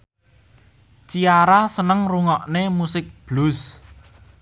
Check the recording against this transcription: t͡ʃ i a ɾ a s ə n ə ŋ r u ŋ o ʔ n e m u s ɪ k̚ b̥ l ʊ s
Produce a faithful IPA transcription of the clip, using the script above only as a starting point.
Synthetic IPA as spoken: t͡ʃ i a ɾ a s ə n ə ŋ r u ŋ ɔ ʔ n e m u s ɪ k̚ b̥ l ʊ s